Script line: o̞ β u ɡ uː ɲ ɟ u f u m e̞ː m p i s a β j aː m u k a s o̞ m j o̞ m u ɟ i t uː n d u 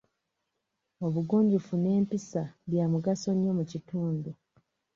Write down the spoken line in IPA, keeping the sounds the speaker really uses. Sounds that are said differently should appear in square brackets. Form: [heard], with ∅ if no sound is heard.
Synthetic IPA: o̞ β u ɡ uː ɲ ɟ u f u [n] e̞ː m p i s a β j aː m u [ɡ] a s o̞ [ɲ] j o̞ m u [c] i t uː n d u